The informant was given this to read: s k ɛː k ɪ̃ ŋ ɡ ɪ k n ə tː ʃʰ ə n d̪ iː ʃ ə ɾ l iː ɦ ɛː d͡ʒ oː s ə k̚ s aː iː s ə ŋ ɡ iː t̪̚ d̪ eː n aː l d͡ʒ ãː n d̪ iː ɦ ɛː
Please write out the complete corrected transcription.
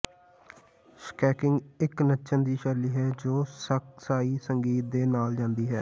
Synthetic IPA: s k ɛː k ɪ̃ ŋ ɡ ɪ k n ə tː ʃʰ ə n d̪ iː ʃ ə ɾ l iː ɦ ɛː d͡ʒ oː s ə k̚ s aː iː s ə ŋ ɡ iː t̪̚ d̪ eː n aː l d͡ʒ ãː n d̪ iː ɦ ɛː